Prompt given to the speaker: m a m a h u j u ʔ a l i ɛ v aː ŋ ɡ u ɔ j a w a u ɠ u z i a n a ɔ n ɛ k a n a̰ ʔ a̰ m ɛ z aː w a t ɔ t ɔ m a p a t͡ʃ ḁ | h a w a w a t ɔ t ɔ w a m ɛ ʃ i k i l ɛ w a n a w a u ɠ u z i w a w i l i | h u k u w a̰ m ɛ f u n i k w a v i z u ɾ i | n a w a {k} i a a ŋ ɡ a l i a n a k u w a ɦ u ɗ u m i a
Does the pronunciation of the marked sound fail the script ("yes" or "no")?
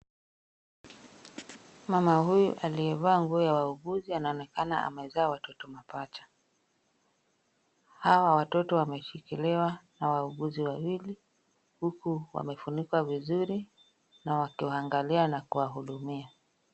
no